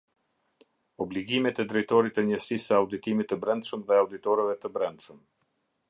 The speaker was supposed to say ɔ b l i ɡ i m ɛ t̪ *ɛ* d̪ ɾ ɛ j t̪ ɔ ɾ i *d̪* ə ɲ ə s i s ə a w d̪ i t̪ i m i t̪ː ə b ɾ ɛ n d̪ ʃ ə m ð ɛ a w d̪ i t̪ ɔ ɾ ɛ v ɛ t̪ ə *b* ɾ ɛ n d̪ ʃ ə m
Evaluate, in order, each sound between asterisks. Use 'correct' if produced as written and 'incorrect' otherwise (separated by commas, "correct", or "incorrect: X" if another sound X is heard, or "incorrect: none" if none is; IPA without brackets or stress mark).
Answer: correct, incorrect: t̪, correct